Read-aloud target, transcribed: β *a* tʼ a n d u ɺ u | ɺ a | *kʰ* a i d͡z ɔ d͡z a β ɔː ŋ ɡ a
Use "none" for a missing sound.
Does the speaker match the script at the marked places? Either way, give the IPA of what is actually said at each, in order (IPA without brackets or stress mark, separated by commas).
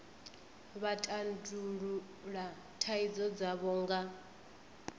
a, tʰ